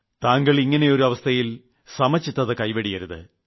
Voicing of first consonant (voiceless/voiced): voiceless